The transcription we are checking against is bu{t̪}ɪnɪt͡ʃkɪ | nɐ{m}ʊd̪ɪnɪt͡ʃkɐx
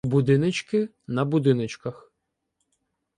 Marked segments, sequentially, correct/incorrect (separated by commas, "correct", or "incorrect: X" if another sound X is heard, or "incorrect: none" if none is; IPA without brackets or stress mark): incorrect: d̪, incorrect: b